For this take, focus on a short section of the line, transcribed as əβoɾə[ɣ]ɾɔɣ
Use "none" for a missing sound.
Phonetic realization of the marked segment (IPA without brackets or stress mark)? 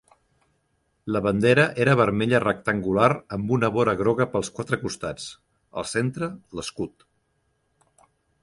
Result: ɣ